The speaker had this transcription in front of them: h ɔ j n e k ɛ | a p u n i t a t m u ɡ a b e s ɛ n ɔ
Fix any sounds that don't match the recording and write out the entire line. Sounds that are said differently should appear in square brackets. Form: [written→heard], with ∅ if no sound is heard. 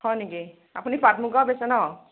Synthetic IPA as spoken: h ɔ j n [e→i] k [ɛ→i] | a p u n i [t→p] a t m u ɡ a b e s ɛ n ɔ